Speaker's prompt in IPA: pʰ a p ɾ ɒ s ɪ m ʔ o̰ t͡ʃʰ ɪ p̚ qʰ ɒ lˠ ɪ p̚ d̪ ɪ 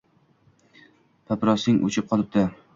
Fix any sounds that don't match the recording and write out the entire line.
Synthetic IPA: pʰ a p ɾ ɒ s ɪ ŋ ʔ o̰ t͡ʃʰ ɪ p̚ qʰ ɒ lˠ ɪ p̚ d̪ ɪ